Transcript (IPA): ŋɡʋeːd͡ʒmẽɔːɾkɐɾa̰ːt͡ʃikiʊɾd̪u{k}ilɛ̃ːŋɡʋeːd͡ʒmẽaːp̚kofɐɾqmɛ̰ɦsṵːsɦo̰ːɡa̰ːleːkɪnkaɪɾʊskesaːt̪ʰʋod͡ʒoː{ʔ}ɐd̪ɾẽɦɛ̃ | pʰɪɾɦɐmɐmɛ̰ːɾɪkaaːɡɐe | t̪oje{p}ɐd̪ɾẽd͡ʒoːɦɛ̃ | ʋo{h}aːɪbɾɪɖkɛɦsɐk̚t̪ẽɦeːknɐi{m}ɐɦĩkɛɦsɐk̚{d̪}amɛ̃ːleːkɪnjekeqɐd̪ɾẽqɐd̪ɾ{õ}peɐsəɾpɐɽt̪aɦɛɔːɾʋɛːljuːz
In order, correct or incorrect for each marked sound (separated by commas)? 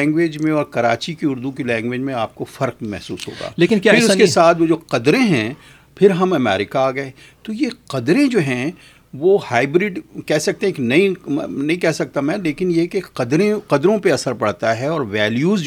correct, incorrect, incorrect, correct, incorrect, incorrect, correct